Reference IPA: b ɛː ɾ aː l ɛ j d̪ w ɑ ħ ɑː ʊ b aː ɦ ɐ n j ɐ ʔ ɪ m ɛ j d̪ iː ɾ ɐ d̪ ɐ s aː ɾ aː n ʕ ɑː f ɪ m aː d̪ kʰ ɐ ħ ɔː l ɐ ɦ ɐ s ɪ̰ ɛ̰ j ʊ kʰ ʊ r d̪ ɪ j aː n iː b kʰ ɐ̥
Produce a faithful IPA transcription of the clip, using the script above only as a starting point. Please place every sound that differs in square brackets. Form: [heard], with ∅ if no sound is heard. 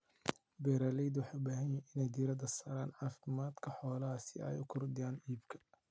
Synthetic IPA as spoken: b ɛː ɾ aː l ɛ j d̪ w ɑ ħ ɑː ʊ b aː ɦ ɐ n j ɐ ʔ ɪ [n] ɛ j d̪ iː ɾ ɐ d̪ ɐ s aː ɾ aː n ʕ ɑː f ɪ m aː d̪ kʰ ɐ ħ ɔː l ɐ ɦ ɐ s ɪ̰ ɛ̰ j ʊ kʰ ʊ r d̪ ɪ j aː n iː b kʰ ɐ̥

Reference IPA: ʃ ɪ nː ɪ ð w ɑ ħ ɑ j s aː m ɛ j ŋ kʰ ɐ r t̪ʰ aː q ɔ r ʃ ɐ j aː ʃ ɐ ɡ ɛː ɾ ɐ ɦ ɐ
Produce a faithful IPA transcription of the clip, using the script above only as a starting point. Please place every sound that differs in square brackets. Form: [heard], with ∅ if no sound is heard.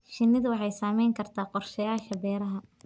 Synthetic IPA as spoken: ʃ ɪ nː ɪ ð w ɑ ħ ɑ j s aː m ɛ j ŋ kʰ ɐ r t̪ʰ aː q ɔ r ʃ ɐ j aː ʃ ɐ [b] ɛː ɾ ɐ ɦ ɐ

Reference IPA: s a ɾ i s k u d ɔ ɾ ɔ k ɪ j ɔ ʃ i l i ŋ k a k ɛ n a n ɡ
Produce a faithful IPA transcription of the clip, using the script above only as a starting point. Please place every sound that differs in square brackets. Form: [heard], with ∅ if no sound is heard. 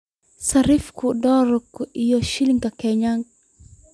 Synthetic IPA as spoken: s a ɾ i [f] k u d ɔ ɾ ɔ k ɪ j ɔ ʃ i l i ŋ k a k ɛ [ɲ] a [ŋ] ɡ

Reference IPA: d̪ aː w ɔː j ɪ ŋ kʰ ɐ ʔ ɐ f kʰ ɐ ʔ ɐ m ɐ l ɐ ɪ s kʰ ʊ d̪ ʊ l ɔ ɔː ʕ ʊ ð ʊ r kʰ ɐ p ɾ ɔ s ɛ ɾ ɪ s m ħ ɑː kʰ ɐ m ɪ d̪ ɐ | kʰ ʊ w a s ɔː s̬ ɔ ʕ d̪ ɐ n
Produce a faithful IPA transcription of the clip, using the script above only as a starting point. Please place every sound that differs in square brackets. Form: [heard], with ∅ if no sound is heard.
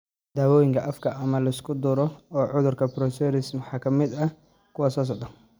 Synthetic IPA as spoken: d̪ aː w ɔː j ɪ ŋ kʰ ɐ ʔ ɐ f kʰ ɐ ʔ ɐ m ɐ l ɐ ɪ s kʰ ʊ d̪ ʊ [ɾ] ɔ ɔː ʕ ʊ ð ʊ r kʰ ɐ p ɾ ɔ s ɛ ɾ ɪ s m ħ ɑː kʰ ɐ m ɪ d̪ ɐ | kʰ ʊ w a s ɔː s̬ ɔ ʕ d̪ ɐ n

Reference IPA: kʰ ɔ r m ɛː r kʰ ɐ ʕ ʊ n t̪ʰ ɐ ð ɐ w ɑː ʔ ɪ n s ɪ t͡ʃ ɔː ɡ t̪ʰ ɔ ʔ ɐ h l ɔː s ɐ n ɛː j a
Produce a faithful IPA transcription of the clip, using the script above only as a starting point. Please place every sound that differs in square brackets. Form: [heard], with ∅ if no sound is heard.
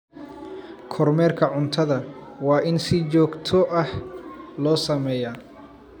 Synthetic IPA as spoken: kʰ ɔ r m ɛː r kʰ ɐ ʕ ʊ n t̪ʰ ɐ ð ɐ w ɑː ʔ ɪ n s ɪ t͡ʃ ɔː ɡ t̪ʰ ɔ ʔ ɐ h l ɔː s ɐ [m] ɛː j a

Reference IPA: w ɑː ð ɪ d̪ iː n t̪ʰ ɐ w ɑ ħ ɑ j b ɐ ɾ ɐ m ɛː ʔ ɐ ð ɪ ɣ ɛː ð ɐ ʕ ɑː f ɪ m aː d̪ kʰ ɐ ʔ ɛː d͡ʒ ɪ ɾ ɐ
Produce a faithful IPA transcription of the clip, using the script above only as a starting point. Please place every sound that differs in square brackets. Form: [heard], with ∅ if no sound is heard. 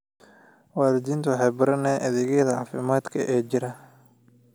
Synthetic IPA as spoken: w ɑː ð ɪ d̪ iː n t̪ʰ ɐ w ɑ ħ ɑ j b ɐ ɾ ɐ [n] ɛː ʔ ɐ ð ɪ ɣ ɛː ð ɐ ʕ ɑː f ɪ m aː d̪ kʰ ɐ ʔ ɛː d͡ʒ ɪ ɾ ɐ

